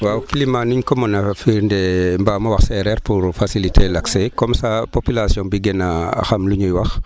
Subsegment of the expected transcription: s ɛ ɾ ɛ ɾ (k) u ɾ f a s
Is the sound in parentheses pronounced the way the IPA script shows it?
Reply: no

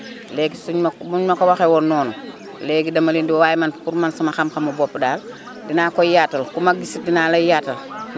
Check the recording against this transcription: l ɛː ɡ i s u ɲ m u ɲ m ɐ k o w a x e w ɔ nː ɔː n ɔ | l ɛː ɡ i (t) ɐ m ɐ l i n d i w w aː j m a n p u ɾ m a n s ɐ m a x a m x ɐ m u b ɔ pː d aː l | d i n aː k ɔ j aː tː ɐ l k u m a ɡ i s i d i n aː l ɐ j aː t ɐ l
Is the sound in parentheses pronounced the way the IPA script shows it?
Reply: no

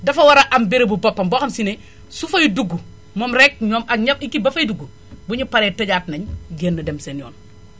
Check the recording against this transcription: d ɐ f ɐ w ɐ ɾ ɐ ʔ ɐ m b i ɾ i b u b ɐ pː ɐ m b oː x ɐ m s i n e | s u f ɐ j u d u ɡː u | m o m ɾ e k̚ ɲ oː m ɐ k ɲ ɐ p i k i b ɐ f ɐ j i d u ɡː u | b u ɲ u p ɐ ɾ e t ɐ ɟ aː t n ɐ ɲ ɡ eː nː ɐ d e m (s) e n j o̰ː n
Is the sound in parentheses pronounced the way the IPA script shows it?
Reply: yes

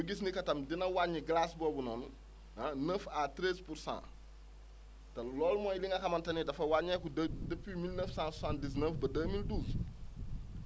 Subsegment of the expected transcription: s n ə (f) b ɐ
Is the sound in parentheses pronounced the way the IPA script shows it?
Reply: yes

